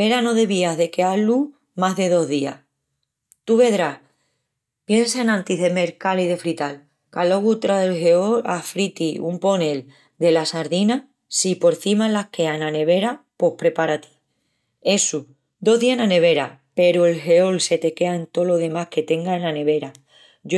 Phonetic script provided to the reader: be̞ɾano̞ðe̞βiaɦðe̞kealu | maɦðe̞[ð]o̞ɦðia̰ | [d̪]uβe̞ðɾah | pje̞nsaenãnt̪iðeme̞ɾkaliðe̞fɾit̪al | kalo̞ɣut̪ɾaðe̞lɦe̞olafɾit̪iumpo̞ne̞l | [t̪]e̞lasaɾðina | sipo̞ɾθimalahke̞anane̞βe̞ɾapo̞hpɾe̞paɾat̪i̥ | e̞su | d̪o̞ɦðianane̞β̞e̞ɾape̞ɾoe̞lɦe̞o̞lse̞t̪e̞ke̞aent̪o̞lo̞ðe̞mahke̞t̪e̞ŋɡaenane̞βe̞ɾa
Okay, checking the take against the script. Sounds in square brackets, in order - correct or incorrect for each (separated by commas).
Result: correct, incorrect, incorrect